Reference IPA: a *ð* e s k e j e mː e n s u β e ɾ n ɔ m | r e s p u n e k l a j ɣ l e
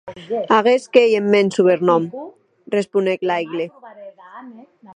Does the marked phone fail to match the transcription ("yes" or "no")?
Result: yes